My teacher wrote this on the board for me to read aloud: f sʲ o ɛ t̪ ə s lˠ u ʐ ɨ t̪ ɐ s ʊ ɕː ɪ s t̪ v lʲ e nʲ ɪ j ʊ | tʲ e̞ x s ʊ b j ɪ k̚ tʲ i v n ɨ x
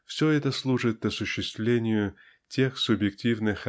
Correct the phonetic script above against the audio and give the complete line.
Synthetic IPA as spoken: f sʲ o ɛ t̪ ə s lˠ u ʐ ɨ t̪ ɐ s ʊ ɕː ɪ s t̪ v lʲ e nʲ ɪ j ʊ | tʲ e̞ x s ʊ b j ɪ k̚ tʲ i v n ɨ x